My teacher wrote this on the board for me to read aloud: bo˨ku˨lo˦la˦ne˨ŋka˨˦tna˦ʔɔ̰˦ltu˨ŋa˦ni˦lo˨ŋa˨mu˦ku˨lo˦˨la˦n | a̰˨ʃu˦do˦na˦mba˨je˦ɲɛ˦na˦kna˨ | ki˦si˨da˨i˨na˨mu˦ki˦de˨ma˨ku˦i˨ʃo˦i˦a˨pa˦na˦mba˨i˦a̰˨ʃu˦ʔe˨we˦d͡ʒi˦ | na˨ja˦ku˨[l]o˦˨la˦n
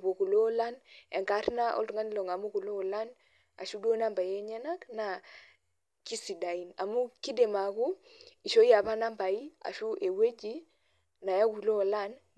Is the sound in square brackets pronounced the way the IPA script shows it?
yes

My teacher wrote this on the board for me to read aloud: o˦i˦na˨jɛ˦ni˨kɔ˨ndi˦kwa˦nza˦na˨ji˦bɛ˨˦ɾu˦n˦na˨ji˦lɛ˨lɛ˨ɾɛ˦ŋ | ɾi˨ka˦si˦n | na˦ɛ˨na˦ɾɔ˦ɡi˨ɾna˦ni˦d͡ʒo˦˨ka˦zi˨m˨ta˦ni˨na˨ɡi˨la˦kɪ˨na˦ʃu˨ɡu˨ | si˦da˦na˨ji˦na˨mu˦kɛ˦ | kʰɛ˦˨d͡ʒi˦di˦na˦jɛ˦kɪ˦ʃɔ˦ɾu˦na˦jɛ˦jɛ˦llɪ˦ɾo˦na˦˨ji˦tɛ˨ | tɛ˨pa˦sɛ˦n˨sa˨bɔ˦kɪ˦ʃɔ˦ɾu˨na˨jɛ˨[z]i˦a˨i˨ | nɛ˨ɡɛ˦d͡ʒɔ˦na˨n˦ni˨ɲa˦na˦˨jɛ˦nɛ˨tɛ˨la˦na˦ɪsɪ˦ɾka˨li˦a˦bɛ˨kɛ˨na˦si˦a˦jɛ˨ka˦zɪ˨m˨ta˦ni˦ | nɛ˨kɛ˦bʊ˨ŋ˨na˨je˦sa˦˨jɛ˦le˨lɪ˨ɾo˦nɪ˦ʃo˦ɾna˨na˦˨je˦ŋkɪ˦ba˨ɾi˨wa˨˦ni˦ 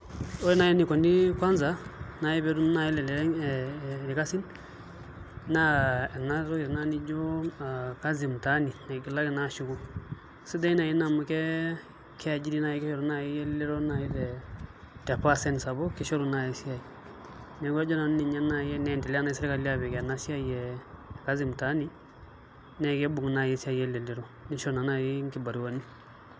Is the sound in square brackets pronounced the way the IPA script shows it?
no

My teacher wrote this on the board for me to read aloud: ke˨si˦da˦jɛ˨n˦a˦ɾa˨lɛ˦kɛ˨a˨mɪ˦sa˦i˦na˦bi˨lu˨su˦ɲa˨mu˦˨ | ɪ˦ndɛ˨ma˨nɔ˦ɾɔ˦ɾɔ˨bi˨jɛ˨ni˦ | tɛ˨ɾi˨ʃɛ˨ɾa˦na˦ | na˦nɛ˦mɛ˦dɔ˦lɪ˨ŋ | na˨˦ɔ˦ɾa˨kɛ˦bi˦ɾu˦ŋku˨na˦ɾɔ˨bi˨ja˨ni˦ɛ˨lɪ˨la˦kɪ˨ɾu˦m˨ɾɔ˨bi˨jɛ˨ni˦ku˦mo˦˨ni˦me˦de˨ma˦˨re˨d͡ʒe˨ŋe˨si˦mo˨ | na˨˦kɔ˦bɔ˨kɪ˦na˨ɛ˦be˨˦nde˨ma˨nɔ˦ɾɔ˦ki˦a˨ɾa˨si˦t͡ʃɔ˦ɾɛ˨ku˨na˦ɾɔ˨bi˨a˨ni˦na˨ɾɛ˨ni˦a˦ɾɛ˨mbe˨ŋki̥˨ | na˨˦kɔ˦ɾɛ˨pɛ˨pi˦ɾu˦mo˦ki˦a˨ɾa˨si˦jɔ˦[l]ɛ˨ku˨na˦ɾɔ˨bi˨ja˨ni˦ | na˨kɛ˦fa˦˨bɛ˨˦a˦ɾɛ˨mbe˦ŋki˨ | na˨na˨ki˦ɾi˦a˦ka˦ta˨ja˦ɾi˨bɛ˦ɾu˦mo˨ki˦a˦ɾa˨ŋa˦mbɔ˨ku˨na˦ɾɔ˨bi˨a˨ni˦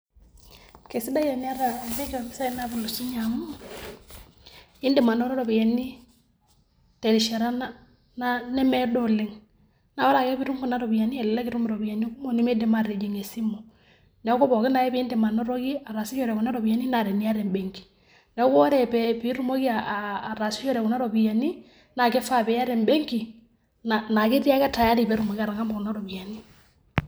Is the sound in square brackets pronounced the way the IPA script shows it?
no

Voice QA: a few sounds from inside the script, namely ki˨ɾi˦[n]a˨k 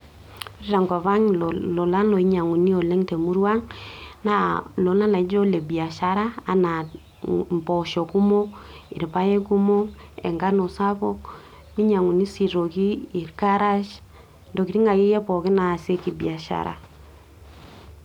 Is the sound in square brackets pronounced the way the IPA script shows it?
no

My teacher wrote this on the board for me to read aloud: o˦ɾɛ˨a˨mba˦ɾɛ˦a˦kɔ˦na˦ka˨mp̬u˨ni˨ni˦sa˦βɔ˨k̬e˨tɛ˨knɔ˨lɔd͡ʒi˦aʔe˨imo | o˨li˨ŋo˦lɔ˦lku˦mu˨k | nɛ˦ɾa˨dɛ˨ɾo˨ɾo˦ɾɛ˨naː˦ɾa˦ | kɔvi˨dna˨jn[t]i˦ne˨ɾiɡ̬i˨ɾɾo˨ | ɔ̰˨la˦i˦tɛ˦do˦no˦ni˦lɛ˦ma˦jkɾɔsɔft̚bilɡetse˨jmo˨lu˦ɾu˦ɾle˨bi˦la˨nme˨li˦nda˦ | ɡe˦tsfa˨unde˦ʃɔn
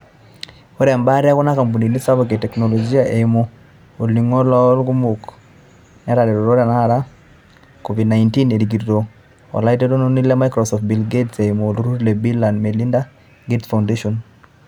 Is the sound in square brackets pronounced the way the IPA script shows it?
yes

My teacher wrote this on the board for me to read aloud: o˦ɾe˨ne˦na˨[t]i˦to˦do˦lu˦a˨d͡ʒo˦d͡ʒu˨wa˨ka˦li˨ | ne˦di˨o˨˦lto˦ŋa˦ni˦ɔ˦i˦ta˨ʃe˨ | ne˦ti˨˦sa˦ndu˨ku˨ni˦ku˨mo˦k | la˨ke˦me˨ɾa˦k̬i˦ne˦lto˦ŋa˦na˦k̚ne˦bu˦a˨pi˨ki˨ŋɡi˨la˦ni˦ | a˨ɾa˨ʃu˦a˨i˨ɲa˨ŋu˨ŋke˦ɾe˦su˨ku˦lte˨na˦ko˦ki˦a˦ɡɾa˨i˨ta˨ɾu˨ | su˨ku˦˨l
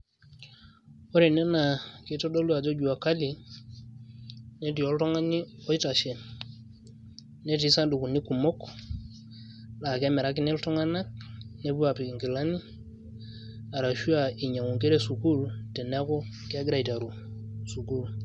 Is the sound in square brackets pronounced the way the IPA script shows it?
no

